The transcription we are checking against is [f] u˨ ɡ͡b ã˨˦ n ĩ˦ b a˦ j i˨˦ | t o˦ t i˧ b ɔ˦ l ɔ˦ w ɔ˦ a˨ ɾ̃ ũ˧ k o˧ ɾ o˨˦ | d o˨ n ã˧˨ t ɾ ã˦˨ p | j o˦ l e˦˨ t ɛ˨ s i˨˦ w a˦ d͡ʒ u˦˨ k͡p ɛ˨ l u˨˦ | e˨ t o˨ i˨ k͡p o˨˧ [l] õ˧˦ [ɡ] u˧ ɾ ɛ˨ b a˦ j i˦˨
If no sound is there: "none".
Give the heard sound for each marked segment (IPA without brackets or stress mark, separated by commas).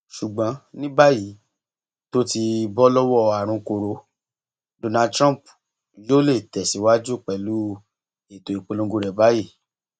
ʃ, l, ɡ